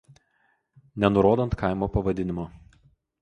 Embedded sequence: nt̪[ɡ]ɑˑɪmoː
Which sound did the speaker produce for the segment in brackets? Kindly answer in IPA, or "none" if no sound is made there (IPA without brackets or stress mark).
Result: k